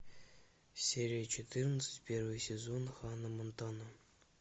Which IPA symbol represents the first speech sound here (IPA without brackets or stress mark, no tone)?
sʲ